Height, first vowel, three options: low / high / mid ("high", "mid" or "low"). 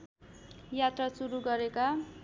low